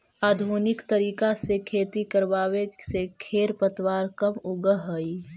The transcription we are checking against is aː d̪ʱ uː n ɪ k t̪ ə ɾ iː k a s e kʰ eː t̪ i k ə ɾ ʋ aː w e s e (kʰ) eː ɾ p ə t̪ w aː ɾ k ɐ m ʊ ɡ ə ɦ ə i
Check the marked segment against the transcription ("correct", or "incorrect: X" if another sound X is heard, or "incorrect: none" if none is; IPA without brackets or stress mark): correct